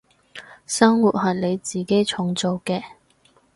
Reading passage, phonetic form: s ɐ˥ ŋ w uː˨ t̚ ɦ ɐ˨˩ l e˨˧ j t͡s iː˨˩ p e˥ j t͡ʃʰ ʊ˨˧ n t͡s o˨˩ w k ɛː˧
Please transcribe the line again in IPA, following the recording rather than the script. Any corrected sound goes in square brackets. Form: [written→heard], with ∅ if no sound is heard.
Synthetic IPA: s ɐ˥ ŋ w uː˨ t̚ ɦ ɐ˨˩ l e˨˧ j t͡s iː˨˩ [p→k] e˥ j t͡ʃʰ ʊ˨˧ [n→ŋ] t͡s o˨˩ w k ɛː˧